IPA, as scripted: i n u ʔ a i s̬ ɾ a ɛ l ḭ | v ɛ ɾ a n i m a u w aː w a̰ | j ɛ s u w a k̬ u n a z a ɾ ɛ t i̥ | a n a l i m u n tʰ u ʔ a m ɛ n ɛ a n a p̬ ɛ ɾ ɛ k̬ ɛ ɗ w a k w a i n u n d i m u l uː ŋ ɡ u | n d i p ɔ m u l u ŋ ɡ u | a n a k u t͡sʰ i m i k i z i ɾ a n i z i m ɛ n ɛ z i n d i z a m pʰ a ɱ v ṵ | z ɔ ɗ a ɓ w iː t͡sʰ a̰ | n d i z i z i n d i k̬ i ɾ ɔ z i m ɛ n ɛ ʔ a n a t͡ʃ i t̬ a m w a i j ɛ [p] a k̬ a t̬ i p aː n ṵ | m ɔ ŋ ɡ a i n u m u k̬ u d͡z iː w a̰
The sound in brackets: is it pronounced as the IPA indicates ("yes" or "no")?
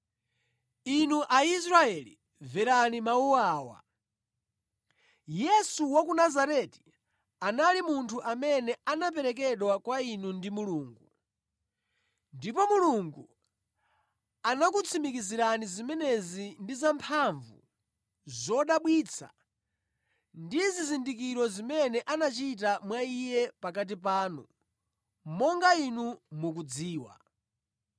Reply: yes